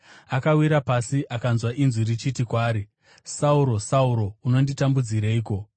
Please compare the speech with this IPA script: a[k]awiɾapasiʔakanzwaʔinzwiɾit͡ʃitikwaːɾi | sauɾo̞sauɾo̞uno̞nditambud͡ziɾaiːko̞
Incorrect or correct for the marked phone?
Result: correct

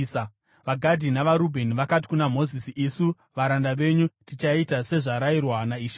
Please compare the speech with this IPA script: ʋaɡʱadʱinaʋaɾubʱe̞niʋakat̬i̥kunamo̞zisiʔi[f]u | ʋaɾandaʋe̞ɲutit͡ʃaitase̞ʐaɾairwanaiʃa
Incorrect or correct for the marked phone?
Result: incorrect: s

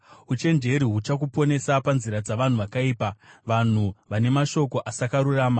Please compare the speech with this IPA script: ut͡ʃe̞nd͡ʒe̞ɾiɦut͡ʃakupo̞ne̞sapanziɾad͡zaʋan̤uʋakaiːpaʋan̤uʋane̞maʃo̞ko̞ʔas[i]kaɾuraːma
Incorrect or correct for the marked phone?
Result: incorrect: a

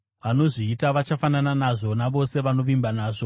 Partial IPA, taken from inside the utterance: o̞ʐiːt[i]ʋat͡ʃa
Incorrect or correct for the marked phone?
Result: incorrect: a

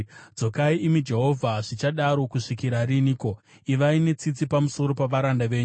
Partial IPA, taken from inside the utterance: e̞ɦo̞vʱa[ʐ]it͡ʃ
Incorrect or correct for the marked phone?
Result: correct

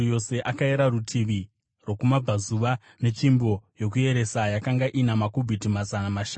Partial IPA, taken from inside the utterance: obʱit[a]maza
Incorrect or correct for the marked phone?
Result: incorrect: i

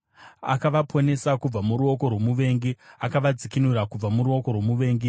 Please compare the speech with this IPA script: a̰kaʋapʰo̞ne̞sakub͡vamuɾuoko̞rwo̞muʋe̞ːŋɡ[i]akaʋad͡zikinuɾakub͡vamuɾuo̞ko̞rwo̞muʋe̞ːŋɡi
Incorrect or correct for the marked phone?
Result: correct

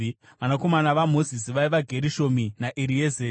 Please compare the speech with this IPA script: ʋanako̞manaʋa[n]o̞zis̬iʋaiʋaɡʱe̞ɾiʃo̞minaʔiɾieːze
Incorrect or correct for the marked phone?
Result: incorrect: m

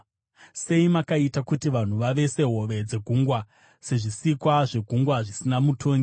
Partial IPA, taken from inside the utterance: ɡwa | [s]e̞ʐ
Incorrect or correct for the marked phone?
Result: correct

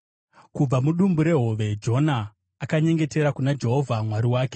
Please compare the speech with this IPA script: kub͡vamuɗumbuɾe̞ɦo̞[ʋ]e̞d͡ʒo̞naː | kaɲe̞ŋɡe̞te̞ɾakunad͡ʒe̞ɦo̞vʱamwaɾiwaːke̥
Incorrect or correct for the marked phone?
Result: correct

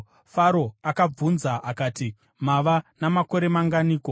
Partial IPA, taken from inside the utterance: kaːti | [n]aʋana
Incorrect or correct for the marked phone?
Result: incorrect: m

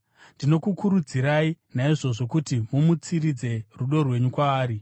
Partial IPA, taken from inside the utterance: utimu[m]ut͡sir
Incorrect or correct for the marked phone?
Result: correct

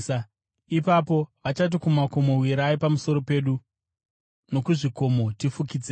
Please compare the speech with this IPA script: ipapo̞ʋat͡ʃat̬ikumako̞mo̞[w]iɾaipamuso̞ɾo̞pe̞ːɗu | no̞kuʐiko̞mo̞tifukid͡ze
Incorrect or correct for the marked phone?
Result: correct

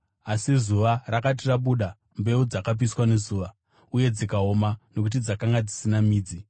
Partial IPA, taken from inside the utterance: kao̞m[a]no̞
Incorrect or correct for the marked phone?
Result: correct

